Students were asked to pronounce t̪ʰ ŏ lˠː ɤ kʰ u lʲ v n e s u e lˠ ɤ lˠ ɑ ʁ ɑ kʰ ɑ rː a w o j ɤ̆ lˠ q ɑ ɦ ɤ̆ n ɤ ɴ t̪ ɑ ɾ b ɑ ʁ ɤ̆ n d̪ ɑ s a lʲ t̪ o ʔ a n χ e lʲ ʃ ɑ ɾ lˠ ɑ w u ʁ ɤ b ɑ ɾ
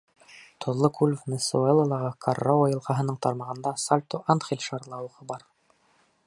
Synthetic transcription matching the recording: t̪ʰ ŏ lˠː ɤ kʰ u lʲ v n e s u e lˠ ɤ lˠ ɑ ʁ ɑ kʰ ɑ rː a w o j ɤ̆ lˠ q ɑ ɦ ɤ̆ n ɤ ɴ t̪ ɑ ɾ m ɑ ʁ ɤ̆ n d̪ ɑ s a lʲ t̪ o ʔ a n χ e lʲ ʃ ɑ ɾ lˠ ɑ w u ʁ ɤ b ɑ ɾ